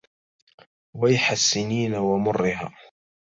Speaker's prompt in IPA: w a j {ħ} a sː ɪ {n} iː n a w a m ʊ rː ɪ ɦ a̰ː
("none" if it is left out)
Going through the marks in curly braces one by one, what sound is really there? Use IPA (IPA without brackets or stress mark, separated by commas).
ħ, n